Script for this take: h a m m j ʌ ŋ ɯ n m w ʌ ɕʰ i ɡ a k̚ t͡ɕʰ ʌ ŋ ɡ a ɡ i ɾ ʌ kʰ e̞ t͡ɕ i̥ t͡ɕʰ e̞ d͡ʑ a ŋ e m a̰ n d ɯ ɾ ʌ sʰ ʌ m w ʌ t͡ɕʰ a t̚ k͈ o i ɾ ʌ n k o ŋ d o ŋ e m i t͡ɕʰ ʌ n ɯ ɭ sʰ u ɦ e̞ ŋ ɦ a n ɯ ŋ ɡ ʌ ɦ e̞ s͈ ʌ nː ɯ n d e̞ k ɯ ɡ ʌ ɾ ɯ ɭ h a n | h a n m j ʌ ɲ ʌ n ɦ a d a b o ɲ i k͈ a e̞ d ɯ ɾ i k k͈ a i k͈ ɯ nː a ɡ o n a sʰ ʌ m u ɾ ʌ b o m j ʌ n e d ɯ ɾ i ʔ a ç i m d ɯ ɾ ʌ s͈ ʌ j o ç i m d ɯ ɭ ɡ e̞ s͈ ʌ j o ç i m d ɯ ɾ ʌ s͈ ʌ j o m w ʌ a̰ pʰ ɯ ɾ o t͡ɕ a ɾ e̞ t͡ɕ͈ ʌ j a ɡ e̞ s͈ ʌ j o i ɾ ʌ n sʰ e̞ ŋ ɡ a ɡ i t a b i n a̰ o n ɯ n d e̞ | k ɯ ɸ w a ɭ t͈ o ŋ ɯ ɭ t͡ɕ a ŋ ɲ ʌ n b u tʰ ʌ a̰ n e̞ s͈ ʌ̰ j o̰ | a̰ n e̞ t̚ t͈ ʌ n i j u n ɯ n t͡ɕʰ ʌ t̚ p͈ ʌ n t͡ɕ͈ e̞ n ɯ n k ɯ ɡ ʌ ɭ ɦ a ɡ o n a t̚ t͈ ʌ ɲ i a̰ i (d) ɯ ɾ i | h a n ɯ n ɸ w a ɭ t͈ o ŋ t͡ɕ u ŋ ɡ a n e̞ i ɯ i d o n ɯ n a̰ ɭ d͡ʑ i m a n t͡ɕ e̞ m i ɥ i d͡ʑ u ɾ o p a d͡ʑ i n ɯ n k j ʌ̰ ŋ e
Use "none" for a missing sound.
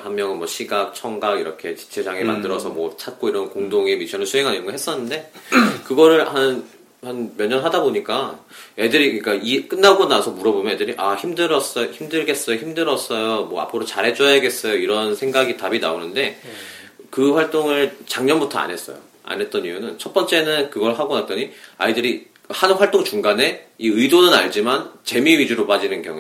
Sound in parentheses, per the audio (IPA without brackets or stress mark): d